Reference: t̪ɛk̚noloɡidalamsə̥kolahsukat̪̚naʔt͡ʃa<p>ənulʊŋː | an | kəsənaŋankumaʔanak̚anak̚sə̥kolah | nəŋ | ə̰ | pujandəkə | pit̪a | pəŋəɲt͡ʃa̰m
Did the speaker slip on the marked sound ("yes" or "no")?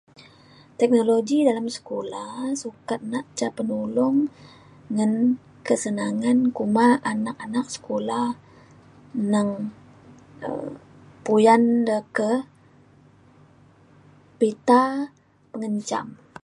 no